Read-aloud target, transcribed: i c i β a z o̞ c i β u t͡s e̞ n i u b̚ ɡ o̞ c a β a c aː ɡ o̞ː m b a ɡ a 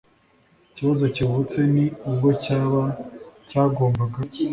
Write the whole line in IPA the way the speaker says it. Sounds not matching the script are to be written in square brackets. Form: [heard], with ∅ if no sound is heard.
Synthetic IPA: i c i β a z o̞ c i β u t͡s e̞ n i u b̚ ɡ o̞ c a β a c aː ɡ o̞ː m b a ɡ a